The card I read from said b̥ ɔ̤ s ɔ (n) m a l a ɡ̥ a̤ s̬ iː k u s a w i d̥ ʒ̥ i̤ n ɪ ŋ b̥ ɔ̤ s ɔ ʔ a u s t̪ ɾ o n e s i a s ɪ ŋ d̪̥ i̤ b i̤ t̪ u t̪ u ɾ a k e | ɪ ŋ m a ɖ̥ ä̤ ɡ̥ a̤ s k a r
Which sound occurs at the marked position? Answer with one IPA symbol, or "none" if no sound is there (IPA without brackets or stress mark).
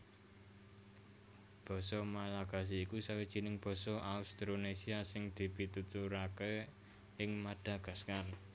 none